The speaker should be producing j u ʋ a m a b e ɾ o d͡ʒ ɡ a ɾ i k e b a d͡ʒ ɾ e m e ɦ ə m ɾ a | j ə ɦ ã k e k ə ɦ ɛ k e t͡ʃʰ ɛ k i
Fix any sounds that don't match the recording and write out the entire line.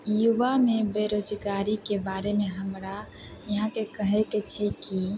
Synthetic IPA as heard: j u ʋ a m e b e ɾ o d͡ʒ ɡ a ɾ i k e b a ɾ e m e ɦ ə m ɾ a | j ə ɦ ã k e k ə ɦ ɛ k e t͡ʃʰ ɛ k i